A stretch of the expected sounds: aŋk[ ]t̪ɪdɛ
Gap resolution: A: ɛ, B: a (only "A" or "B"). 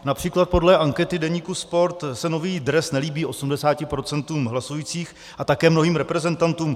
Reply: A